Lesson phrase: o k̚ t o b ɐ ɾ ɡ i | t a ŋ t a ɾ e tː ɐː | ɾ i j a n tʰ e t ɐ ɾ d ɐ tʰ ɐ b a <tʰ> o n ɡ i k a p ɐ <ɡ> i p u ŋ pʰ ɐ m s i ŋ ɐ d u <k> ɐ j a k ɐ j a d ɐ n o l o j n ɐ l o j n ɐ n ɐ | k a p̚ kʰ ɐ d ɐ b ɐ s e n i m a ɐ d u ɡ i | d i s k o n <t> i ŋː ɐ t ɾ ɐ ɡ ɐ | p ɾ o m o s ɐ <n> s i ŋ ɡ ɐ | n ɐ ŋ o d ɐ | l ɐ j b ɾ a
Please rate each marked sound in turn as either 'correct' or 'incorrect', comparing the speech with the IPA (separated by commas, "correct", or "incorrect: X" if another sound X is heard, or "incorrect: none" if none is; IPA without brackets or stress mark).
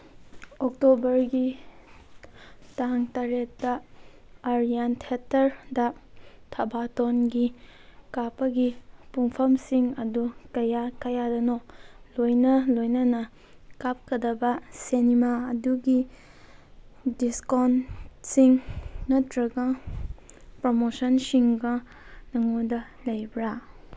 incorrect: t, correct, correct, incorrect: s, correct